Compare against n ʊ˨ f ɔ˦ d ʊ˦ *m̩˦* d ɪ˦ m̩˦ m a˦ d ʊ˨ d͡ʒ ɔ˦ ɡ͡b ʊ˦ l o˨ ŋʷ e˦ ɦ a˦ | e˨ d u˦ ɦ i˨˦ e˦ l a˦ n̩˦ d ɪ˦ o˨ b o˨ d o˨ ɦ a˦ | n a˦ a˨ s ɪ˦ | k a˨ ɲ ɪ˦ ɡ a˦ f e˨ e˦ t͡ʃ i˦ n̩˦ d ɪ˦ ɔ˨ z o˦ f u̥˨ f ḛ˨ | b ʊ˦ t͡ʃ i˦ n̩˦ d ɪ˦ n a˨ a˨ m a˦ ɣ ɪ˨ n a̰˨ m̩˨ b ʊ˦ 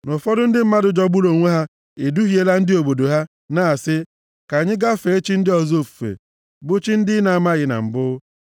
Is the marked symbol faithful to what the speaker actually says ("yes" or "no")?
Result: no